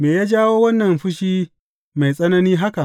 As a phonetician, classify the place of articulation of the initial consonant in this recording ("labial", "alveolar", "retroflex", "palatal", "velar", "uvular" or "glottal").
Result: labial